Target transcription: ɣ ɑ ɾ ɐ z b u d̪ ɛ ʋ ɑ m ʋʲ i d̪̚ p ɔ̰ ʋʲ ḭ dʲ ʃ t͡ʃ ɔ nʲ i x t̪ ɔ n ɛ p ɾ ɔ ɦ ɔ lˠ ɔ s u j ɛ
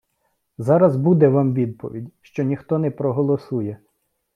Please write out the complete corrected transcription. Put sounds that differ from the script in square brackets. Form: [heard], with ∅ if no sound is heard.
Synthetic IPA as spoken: [z] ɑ ɾ ɐ z b u d̪ ɛ ʋ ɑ m ʋʲ i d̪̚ p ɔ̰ ʋʲ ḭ dʲ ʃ t͡ʃ ɔ nʲ i x t̪ ɔ n ɛ p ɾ ɔ ɦ ɔ lˠ ɔ s u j ɛ